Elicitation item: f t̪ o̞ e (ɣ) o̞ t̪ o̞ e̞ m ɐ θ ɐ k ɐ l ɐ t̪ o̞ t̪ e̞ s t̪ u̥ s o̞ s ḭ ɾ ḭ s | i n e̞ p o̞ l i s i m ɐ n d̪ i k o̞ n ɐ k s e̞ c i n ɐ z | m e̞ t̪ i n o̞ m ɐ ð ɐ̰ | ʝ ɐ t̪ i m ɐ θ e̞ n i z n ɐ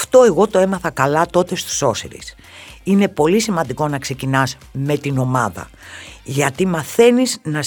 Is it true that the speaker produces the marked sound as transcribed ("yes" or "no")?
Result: yes